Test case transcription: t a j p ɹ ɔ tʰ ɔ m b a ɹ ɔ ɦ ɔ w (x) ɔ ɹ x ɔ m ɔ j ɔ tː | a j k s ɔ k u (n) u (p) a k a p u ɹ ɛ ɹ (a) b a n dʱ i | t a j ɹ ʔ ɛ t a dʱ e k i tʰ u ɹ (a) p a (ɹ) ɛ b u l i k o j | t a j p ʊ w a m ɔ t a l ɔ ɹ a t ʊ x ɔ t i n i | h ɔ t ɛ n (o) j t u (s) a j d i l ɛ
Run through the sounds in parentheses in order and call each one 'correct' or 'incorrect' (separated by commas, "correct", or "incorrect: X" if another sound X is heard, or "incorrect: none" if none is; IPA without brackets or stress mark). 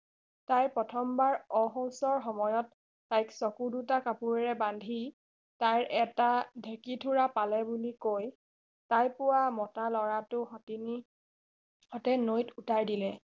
incorrect: s, incorrect: d, incorrect: t, incorrect: ɛ, correct, incorrect: l, correct, incorrect: t